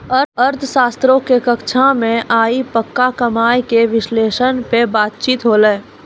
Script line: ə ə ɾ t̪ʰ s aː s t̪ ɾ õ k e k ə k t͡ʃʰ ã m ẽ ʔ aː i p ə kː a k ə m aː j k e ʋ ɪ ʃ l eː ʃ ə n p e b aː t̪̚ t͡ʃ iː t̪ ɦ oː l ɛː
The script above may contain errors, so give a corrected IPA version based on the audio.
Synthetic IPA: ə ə ɾ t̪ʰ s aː s t̪ ɾ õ k e k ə k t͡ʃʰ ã m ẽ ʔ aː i p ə kː a k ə m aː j k e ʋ ɪ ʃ l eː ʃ ə n p e b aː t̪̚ t͡ʃ iː t̪ ɦ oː l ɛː